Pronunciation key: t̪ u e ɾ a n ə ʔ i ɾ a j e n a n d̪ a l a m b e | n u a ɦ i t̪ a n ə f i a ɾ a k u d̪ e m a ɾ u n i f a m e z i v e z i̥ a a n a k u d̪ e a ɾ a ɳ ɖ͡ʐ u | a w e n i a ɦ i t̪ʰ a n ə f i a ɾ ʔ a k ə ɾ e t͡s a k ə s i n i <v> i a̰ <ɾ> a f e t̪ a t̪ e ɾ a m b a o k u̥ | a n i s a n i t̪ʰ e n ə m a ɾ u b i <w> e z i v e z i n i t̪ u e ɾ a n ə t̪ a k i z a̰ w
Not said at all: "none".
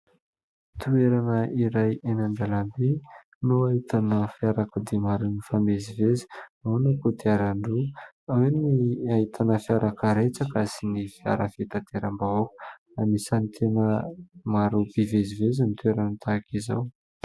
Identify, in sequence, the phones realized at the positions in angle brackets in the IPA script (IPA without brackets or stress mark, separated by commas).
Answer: f, ɾ, v